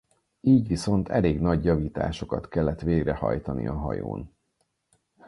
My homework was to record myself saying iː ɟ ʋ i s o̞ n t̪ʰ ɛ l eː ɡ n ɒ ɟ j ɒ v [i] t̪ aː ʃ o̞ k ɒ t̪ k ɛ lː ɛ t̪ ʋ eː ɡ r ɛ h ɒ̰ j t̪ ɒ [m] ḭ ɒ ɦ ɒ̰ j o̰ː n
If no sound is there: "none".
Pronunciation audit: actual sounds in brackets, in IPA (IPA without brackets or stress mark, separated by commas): iː, n